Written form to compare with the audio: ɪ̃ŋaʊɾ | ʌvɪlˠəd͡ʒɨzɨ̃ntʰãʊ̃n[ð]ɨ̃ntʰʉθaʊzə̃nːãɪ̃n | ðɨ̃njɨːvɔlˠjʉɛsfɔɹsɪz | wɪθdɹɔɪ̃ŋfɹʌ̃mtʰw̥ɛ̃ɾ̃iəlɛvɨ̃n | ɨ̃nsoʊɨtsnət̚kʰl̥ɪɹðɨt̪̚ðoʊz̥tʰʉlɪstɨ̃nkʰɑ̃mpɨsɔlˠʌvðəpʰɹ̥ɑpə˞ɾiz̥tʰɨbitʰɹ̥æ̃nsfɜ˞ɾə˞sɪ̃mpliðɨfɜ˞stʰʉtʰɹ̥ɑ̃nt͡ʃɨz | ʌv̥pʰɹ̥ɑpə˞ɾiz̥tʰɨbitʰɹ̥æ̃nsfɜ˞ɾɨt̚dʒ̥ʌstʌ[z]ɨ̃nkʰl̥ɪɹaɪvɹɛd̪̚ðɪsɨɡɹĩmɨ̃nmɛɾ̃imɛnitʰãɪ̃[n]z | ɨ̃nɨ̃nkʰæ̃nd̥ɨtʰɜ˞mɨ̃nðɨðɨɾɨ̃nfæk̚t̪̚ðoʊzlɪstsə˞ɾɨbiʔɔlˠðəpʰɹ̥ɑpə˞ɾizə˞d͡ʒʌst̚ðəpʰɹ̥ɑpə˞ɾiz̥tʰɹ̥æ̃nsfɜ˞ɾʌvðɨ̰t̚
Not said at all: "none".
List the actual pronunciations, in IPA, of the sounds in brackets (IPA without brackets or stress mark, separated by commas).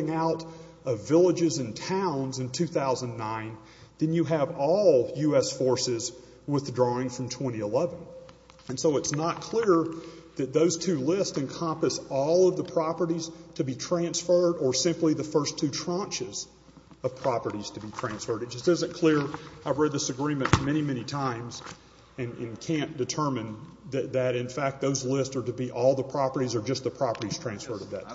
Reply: z, z, m